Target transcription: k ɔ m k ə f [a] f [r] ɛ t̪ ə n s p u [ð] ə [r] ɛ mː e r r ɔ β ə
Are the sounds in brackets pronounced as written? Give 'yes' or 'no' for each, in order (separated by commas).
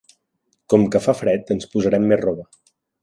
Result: yes, no, no, no